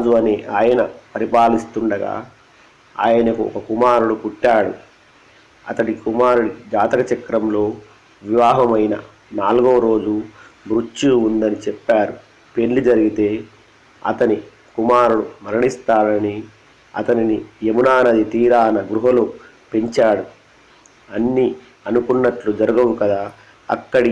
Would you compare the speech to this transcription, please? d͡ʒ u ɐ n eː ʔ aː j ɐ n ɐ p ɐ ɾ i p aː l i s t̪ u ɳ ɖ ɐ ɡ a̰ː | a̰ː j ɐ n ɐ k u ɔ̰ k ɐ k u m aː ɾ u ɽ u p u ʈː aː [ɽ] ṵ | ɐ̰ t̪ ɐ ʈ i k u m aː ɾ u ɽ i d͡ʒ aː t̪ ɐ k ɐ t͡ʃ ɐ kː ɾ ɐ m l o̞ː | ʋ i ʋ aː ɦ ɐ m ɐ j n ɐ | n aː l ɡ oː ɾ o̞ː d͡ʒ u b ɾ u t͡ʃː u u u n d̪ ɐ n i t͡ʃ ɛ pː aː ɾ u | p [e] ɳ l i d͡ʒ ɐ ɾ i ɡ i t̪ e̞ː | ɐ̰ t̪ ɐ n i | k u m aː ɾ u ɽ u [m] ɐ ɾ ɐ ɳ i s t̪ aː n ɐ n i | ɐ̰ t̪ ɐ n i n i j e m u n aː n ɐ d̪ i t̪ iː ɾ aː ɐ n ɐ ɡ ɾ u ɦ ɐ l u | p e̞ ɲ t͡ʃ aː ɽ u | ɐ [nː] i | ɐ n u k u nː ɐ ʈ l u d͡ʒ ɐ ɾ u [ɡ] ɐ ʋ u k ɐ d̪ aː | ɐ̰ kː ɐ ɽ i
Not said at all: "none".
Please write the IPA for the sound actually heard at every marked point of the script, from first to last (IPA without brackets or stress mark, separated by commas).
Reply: ɽ, e, m, nː, ɡ